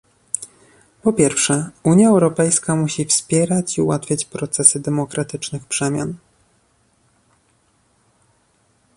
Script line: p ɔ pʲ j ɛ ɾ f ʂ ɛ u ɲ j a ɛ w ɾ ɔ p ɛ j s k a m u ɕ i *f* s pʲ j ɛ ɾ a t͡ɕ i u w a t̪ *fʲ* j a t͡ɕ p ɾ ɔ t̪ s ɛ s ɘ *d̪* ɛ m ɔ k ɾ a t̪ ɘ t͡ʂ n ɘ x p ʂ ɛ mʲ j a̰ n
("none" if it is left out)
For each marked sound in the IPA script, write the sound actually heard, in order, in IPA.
f, fʲ, d̪

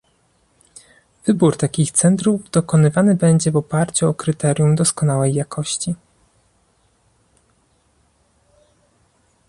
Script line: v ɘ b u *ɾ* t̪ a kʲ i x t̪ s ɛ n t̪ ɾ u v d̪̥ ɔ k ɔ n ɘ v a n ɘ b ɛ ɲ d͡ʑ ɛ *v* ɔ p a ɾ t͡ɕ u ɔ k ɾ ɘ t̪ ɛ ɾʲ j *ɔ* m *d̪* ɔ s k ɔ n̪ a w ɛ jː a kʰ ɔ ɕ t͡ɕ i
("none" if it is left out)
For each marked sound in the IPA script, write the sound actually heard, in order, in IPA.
ɾ, v, u, d̪

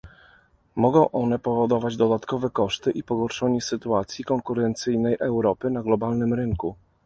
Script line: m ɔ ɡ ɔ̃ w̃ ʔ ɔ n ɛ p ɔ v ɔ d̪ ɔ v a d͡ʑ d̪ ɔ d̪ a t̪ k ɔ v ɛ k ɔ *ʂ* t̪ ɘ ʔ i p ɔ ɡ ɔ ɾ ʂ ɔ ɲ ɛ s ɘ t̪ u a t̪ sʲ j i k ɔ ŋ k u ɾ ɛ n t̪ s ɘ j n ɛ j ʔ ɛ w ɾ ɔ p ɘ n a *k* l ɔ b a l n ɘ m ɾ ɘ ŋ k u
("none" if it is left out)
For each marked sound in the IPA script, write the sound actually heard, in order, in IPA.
ʂ, ɡ

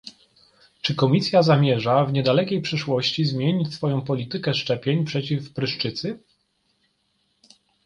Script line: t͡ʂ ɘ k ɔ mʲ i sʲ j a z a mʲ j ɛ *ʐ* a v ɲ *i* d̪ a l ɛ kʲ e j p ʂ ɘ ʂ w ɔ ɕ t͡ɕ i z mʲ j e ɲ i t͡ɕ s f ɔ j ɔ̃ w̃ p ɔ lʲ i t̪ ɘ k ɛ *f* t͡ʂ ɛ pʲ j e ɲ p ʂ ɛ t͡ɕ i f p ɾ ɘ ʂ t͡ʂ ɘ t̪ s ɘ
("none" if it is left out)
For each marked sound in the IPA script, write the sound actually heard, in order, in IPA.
ʐ, ɛ, ʂ

